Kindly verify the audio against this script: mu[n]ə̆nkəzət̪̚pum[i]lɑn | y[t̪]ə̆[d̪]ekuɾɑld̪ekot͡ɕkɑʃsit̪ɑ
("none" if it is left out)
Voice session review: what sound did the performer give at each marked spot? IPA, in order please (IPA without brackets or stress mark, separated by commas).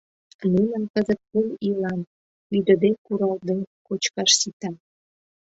n, i, d̪, d̪